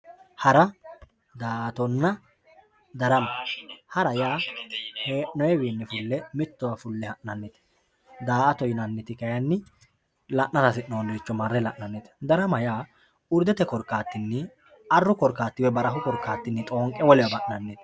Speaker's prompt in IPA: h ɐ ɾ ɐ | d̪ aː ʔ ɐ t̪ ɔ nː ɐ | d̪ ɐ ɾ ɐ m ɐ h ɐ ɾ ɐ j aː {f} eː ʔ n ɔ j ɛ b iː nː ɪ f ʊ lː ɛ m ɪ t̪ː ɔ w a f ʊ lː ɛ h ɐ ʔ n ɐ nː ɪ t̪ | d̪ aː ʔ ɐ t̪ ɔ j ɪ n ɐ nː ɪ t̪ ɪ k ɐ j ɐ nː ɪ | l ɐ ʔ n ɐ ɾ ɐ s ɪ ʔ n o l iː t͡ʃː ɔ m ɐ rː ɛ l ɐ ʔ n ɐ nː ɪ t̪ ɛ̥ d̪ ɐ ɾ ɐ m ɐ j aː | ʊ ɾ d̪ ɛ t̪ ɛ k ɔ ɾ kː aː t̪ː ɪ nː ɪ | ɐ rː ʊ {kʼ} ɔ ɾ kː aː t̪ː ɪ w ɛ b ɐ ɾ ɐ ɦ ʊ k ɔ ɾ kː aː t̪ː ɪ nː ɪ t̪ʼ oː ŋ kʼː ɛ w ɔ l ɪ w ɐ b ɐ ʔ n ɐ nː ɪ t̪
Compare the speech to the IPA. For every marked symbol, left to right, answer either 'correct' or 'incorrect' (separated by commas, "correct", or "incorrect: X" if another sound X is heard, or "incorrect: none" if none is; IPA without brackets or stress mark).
incorrect: h, incorrect: k